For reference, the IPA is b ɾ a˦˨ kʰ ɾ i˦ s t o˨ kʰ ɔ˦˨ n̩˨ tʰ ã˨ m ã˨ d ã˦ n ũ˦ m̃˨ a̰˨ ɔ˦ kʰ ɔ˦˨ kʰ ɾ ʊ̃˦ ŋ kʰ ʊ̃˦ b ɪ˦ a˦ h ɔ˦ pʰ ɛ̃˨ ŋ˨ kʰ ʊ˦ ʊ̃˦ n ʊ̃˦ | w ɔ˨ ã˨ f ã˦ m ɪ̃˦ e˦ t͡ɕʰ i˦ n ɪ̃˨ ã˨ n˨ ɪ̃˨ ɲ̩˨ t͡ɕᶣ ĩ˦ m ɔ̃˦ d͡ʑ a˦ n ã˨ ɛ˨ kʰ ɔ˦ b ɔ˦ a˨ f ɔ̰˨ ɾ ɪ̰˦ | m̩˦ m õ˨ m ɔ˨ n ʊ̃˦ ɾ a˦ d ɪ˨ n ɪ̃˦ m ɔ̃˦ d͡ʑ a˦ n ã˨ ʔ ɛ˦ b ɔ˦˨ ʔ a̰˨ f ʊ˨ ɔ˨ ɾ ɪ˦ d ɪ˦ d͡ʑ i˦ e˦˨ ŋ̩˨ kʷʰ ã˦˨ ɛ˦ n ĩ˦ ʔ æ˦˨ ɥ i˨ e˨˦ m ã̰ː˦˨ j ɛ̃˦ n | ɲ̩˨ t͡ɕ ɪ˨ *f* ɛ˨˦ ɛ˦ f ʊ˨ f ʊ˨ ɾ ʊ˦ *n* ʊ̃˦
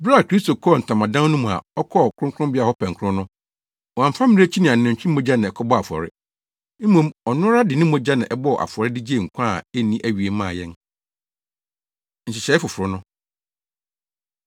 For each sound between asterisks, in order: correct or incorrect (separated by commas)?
incorrect, correct